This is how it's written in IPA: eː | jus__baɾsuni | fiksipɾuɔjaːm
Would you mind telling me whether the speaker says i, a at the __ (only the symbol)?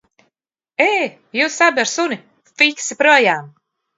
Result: a